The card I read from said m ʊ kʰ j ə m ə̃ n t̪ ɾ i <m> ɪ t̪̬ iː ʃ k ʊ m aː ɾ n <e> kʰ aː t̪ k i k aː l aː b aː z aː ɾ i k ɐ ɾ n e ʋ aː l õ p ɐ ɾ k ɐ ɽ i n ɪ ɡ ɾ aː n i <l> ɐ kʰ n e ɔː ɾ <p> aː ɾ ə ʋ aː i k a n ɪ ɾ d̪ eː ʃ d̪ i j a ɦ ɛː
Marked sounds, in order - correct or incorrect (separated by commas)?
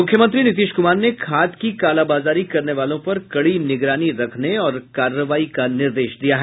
incorrect, correct, incorrect, incorrect